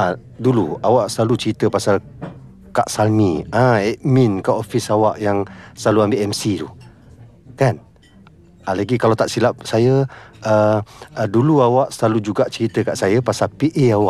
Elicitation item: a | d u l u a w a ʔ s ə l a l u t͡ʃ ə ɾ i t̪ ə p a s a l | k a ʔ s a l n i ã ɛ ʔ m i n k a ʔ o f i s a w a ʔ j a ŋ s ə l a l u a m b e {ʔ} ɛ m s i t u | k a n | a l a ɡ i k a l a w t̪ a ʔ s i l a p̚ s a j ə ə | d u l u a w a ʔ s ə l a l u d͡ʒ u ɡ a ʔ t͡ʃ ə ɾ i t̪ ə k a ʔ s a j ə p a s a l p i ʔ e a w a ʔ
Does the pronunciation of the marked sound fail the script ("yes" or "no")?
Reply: no